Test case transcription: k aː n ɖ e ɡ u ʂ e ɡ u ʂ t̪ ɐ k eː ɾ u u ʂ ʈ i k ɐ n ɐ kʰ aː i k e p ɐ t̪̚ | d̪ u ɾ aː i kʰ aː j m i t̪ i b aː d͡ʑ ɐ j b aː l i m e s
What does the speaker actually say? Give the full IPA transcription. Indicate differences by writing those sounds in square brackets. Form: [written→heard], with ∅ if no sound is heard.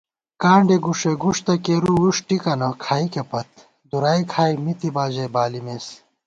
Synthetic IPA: k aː [n→ɳ] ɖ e ɡ u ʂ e ɡ u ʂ t̪ ɐ k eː ɾ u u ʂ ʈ i k ɐ n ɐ kʰ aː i k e p ɐ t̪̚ | d̪ u ɾ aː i kʰ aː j m i t̪ i b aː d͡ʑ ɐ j b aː l i m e s